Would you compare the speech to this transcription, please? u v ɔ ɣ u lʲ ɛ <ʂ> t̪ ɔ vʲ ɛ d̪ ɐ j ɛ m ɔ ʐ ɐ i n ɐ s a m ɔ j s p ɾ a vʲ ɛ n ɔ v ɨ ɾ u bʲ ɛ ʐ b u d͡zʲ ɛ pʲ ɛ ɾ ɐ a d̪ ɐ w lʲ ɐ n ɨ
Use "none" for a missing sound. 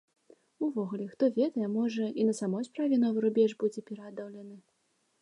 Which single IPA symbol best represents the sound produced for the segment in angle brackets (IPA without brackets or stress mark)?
x